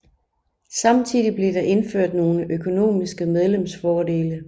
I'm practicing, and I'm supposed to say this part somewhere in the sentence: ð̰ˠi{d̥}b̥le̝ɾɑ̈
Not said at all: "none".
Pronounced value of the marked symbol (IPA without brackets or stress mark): none